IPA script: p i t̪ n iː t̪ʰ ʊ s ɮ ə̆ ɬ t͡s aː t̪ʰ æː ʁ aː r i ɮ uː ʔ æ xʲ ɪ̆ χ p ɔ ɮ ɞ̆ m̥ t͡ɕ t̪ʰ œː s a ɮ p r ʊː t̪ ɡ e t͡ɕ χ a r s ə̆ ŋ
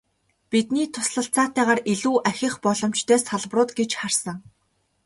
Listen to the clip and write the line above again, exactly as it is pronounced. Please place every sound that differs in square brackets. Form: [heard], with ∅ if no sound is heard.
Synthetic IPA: p i t̪ n iː t̪ʰ ʊ s ɮ ə̆ ɬ t͡s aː [t̪] æː ʁ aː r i ɮ uː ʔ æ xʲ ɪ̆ χ p ɔ ɮ ɞ̆ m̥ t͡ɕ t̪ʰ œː s a ɮ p r ʊː t̪ ɡ e t͡ɕ χ a r s ə̆ ŋ